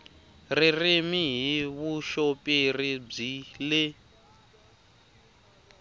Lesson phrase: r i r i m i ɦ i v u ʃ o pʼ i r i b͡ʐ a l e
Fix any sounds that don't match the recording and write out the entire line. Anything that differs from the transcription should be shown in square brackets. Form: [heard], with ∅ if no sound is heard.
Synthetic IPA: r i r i m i ɦ i [β] u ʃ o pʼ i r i b͡ʐ [i] l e